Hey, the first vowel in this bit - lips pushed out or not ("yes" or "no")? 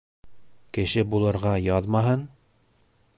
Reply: no